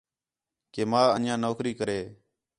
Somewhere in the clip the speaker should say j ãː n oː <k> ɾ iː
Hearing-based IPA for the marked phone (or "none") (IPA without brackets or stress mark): k